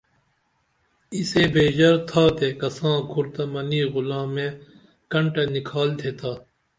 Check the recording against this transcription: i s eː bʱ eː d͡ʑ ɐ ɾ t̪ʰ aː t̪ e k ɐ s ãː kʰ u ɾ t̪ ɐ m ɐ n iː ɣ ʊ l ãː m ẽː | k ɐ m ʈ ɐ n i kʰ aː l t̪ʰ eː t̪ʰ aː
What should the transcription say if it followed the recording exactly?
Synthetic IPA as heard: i s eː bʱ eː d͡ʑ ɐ ɾ t̪ʰ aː t̪ e k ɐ s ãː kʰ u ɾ t̪ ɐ m ɐ n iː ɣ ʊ l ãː m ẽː | k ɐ ɳ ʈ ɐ n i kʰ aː l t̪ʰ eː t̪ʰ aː